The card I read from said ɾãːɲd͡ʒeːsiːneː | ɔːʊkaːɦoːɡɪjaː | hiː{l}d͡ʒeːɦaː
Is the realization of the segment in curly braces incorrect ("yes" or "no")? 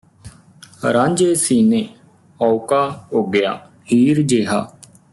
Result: yes